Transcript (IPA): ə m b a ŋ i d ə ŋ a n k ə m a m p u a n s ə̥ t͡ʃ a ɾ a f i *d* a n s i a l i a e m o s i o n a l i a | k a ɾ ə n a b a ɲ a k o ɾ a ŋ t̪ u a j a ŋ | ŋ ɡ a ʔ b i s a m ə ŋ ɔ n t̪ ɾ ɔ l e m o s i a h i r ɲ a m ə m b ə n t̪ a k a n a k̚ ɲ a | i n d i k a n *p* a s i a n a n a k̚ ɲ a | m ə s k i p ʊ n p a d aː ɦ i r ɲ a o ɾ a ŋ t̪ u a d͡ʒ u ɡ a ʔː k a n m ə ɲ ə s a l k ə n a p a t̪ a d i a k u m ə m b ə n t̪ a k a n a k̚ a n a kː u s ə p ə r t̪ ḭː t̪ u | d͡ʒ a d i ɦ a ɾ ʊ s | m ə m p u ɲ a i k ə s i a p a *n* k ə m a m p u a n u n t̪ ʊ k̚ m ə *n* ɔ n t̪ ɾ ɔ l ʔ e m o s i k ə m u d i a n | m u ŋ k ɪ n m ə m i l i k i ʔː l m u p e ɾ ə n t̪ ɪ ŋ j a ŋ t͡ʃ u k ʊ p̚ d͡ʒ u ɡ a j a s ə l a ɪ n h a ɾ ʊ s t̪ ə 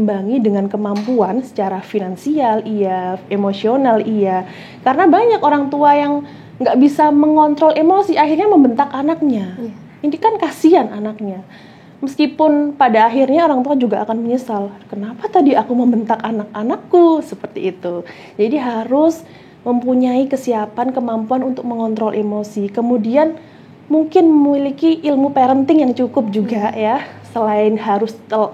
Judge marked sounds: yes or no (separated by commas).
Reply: no, no, yes, no